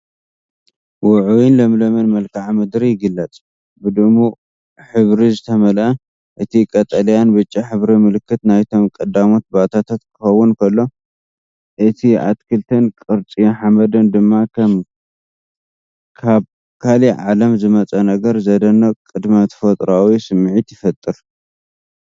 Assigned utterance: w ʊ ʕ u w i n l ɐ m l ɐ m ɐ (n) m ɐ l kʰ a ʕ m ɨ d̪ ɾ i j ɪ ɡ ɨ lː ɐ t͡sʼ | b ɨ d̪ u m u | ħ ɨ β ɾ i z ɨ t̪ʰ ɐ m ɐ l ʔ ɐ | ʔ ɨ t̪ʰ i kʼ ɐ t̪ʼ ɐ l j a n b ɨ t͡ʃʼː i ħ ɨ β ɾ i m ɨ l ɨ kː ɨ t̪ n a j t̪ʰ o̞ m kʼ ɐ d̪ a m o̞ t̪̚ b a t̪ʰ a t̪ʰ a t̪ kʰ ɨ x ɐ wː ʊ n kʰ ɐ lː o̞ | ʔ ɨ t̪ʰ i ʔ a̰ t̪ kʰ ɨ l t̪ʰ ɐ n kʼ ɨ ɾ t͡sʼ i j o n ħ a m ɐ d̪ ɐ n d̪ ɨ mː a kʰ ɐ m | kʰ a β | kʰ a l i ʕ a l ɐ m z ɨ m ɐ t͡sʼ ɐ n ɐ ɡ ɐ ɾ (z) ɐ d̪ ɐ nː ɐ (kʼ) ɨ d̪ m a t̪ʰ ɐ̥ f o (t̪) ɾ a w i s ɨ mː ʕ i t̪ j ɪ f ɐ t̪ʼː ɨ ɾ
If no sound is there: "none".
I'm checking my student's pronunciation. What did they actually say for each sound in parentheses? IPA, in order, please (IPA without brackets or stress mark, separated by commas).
n, z, kʼ, t̪ʼ